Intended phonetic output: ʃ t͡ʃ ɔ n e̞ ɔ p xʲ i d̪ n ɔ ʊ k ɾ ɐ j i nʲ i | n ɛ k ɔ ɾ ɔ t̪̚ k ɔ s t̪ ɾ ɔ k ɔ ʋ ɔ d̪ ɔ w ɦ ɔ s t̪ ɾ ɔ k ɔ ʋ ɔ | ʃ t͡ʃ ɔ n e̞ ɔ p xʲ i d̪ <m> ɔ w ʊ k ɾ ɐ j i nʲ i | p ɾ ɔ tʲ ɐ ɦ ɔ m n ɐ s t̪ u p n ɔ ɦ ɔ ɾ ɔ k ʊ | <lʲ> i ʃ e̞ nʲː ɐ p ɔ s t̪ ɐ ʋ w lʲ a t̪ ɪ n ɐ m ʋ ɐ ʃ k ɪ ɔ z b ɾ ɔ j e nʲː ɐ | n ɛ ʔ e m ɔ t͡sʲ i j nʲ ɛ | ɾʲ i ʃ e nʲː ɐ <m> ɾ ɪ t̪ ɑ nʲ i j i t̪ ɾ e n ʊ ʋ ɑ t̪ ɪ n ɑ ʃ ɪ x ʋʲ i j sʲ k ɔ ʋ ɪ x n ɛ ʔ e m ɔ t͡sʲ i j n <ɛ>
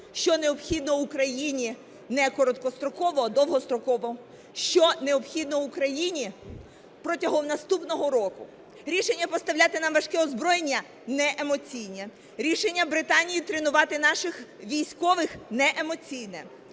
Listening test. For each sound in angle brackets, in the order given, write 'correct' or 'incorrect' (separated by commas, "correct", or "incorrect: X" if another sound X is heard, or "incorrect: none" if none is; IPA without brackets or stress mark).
incorrect: n, incorrect: ɾʲ, incorrect: b, correct